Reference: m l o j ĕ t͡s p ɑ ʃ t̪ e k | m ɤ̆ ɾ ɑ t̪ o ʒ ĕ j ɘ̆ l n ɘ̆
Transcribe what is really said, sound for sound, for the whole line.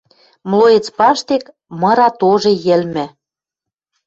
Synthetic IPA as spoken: m l o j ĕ t͡s p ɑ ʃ t̪ e k | m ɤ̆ ɾ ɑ t̪ o ʒ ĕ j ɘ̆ l m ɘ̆